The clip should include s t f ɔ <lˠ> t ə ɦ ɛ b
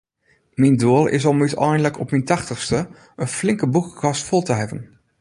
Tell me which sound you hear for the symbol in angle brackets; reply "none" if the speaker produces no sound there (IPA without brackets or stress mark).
lˠ